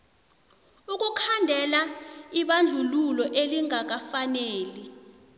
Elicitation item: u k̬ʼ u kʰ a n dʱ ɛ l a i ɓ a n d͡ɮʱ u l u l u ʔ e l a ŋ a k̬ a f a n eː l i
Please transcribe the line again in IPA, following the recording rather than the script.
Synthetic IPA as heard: u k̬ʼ u kʰ a n dʱ ɛ l a i ɓ a n d͡ɮʱ u l u l ɔ ʔ e l i ŋ a k̬ a f a n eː l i